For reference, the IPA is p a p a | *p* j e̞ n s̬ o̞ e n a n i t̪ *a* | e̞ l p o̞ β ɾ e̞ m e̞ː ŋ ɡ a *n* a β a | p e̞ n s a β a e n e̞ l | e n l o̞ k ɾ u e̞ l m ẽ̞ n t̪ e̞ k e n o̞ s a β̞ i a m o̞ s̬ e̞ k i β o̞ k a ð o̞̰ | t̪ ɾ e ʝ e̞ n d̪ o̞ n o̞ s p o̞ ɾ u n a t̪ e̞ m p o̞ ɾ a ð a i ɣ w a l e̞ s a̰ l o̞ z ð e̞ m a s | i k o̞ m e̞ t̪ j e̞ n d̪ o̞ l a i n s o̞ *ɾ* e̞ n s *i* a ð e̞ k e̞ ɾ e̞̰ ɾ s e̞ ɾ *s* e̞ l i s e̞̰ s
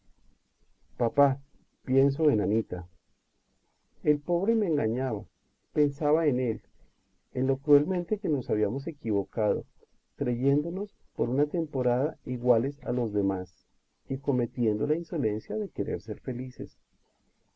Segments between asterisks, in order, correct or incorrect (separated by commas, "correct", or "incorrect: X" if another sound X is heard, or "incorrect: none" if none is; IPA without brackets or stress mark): correct, correct, incorrect: ɲ, incorrect: l, incorrect: j, incorrect: f